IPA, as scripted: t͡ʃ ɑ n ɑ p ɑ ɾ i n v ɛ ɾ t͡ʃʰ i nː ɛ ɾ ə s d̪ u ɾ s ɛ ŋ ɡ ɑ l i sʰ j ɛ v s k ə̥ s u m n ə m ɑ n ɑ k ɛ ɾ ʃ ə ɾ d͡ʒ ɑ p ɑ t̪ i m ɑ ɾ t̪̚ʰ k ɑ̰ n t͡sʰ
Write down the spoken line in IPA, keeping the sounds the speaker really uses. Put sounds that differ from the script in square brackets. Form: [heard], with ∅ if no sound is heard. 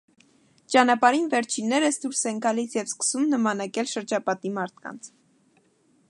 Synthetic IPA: t͡ʃ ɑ n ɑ p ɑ ɾ i n v ɛ ɾ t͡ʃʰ i nː ɛ ɾ ə s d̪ u ɾ s ɛ ŋ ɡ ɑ l i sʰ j ɛ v s k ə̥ s u m n ə m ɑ n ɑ k ɛ [l] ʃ ə ɾ d͡ʒ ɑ p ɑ t̪ i m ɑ ɾ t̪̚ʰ k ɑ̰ n t͡sʰ

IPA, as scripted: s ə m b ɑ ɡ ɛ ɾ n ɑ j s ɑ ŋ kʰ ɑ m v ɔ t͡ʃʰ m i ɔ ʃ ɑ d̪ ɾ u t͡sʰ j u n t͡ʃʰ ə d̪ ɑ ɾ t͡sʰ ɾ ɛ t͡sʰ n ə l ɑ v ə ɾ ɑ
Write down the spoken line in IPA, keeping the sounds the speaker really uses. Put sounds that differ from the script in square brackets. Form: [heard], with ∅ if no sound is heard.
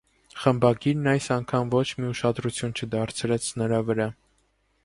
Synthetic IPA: [χ] ə m b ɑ ɡ [i] ɾ n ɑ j s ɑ ŋ kʰ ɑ m v ɔ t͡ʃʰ m i [u] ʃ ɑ d̪ ɾ u t͡sʰ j u n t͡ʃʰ ə d̪ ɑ ɾ t͡sʰ ɾ ɛ t͡sʰ n ə [ɾ] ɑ v ə ɾ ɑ

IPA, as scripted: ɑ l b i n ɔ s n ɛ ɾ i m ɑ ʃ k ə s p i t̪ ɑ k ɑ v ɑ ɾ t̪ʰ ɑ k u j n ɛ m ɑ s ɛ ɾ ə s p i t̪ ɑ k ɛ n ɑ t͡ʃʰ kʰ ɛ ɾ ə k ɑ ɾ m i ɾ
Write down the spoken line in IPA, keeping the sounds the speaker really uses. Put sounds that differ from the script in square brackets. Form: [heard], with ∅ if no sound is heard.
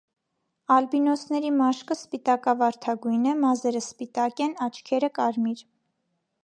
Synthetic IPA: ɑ l b i n ɔ s n ɛ ɾ i m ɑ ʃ k ə s p i t̪ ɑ k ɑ v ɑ ɾ t̪ʰ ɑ [ɡ] u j n ɛ m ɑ [z] ɛ ɾ ə s p i t̪ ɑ k ɛ n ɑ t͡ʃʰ kʰ ɛ ɾ ə k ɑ ɾ m i ɾ

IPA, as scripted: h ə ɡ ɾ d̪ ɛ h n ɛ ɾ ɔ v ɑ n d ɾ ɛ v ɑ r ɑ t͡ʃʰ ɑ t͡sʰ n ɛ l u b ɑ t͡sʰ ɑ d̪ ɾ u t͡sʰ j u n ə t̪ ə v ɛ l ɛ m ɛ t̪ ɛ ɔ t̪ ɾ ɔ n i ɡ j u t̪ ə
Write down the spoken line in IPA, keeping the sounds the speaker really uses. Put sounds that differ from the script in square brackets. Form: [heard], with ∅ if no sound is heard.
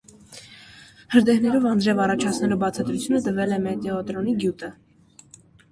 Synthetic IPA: h ə [∅] ɾ d̪ ɛ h n ɛ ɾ ɔ v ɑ n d ɾ ɛ v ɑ r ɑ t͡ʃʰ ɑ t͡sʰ n ɛ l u b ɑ t͡sʰ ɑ d̪ ɾ u t͡sʰ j u n ə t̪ ə v ɛ l ɛ m ɛ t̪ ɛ ɔ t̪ ɾ ɔ n i ɡ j u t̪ ə

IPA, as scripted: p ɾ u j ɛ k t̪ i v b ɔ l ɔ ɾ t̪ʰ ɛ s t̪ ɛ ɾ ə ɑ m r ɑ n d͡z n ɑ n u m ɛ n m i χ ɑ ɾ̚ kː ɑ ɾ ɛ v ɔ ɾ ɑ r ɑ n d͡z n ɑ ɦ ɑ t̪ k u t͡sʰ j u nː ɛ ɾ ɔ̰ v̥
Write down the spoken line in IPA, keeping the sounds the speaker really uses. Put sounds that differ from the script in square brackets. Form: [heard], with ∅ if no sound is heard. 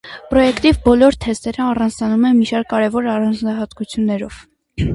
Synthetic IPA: p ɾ [ɔ] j ɛ k t̪ i v b ɔ l ɔ ɾ t̪ʰ ɛ s t̪ ɛ ɾ ə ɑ [∅] r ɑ n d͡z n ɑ n u m ɛ n m i [ʃ] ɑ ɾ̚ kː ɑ ɾ ɛ v ɔ ɾ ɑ r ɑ n d͡z n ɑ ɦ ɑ t̪ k u t͡sʰ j u nː ɛ ɾ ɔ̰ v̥

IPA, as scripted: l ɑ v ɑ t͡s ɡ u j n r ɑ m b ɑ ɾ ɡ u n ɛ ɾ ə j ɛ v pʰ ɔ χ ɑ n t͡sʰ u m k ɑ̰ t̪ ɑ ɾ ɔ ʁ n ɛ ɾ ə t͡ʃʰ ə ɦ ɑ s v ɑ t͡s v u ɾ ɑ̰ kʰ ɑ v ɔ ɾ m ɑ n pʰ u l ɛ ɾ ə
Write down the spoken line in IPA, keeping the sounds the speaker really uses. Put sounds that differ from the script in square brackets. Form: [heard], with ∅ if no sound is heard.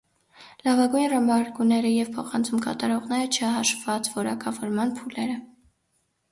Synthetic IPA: l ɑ v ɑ [∅] ɡ u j n r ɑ m b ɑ ɾ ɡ u n ɛ ɾ ə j ɛ v pʰ ɔ χ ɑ n t͡sʰ u m k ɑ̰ t̪ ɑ ɾ ɔ ʁ n ɛ ɾ ə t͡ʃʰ ə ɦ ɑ [ʃ] v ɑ t͡s v [ɔ] ɾ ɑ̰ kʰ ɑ v ɔ ɾ m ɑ n pʰ u l ɛ ɾ ə

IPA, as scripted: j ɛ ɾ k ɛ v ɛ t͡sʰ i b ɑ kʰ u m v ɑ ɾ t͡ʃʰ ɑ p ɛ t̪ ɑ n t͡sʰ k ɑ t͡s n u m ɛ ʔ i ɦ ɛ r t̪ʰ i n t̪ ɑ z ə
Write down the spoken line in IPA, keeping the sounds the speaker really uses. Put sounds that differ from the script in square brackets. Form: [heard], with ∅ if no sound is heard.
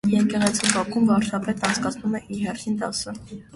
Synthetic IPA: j ɛ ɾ k ɛ [ʁ] ɛ t͡sʰ i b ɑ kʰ u m v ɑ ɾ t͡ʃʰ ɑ p ɛ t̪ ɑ n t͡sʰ k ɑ [t͡sʰ] n u m ɛ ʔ i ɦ ɛ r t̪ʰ i n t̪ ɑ [s] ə

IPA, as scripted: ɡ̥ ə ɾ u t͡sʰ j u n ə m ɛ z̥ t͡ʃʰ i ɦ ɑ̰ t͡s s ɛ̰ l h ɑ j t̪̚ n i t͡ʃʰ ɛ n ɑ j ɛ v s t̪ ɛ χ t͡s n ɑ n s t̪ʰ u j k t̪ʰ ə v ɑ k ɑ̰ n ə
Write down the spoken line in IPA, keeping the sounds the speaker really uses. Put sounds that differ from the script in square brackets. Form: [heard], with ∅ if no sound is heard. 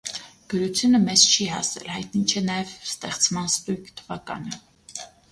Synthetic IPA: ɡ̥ ə ɾ u t͡sʰ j u n ə m ɛ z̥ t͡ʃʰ i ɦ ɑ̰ [∅] s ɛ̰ l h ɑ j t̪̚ n i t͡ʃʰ ɛ n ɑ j ɛ v s t̪ ɛ χ t͡s [m] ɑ n s [t̪] u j k t̪ʰ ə v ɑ k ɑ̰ n ə

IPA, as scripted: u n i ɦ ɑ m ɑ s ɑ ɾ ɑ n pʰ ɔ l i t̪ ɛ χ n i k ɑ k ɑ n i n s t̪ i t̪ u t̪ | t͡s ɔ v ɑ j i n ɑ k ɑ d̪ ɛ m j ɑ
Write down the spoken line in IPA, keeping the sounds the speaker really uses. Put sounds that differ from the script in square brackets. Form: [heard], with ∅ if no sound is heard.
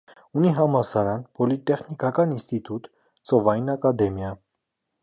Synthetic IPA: u n i ɦ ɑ m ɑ s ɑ ɾ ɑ n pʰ ɔ l i t̪ ɛ χ n i k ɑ k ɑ n i n s t̪ i t̪ u t̪ | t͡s ɔ v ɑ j i n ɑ k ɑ d̪ ɛ m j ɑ

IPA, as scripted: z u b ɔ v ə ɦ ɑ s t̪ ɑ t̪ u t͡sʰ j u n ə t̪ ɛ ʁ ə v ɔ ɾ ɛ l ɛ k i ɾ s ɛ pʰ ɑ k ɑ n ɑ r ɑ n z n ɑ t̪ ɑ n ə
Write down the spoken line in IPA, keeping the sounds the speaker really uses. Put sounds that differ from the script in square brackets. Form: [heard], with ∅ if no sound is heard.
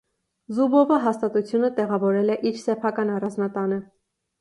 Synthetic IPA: z u b ɔ v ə ɦ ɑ s t̪ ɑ t̪ u t͡sʰ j u n ə t̪ ɛ ʁ [ɑ] v ɔ ɾ ɛ l ɛ [ʔ] i ɾ s ɛ pʰ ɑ k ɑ n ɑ r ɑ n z n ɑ t̪ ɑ n ə

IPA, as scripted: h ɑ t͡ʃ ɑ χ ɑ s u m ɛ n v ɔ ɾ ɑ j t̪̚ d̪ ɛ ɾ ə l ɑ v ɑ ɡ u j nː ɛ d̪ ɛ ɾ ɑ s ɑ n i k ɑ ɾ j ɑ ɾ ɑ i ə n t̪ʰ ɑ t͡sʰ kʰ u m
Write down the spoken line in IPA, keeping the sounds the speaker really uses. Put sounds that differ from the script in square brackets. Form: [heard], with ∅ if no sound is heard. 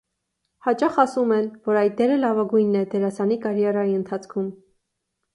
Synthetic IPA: h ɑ t͡ʃ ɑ χ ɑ s u m ɛ n v ɔ ɾ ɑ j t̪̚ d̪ ɛ ɾ ə l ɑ v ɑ ɡ u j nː ɛ d̪ ɛ ɾ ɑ s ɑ n i k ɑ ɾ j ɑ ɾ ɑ i ə n t̪ʰ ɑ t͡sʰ kʰ u m

